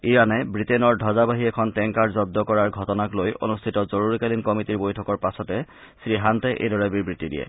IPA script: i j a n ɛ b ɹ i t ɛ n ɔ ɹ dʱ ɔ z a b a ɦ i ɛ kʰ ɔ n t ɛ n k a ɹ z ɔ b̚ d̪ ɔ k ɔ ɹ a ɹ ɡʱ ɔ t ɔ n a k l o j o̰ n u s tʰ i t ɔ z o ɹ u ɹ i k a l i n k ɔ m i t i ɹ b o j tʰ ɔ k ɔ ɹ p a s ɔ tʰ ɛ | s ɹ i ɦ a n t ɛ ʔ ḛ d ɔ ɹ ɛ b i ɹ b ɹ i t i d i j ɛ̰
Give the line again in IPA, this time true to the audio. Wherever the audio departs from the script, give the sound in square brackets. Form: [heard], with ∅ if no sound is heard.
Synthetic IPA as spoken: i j a n ɛ b ɹ i t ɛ n ɔ ɹ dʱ ɔ z a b a ɦ i ɛ kʰ ɔ n t ɛ [ŋ] k a ɹ z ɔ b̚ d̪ ɔ k ɔ ɹ a ɹ ɡʱ ɔ t ɔ n a k l o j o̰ n u s tʰ i t ɔ z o ɹ u ɹ i k a l i n k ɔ m i t i ɹ b o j tʰ ɔ k ɔ ɹ p a s ɔ [t] ɛ | s ɹ i ɦ a n t ɛ ʔ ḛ d ɔ ɹ ɛ b i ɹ b ɹ i t i d i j ɛ̰